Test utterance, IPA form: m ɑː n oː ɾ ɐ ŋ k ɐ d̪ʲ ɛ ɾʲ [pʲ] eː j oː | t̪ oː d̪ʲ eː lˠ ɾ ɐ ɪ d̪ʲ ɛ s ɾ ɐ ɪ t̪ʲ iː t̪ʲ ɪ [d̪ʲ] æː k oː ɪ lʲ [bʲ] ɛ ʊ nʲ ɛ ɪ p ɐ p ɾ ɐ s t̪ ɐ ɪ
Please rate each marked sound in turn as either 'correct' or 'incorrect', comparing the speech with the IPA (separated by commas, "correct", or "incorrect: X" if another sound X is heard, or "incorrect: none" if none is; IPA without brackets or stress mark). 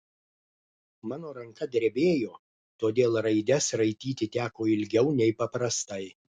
incorrect: bʲ, incorrect: t̪ʲ, incorrect: ɡʲ